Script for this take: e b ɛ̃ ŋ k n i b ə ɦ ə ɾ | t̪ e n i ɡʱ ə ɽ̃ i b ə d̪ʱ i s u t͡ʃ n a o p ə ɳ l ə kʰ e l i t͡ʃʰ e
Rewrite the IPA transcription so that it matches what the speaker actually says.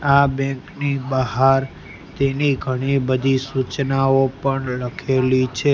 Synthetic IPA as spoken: a b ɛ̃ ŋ k n i b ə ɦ a ɾ | t̪ e n i ɡʱ ə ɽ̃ i b ə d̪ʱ i s u t͡ʃ n a o p ə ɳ l ə kʰ e l i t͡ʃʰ e